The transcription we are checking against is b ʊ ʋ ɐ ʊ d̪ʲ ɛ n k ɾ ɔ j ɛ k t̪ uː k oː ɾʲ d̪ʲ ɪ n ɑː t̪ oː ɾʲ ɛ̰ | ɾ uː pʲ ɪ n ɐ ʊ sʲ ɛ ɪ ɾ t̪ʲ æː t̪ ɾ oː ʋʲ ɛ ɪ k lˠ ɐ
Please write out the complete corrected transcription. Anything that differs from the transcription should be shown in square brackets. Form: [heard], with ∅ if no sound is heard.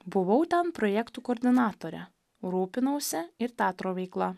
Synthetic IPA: b ʊ ʋ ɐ ʊ [t̪ʲ] ɛ n [p] ɾ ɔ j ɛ k t̪ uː k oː ɾʲ d̪ʲ ɪ n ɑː t̪ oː ɾʲ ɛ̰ | ɾ uː pʲ ɪ n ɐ ʊ sʲ ɛ ɪ ɾ t̪ʲ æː t̪ ɾ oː ʋʲ ɛ ɪ k lˠ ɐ